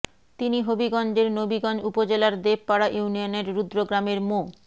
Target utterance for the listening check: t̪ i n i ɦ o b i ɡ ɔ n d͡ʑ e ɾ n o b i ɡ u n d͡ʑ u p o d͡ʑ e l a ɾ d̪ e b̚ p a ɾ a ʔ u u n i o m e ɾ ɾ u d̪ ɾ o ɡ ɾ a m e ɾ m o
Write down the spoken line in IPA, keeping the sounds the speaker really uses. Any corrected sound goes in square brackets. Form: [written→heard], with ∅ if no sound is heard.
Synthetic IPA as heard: t̪ i n i ɦ o b i ɡ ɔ n d͡ʑ e ɾ n o b i ɡ [u→ɔ] n d͡ʑ u p o d͡ʑ e l a ɾ d̪ e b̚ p a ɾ a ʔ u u n i o [m→n] e ɾ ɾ u d̪ ɾ o ɡ ɾ a m e ɾ m o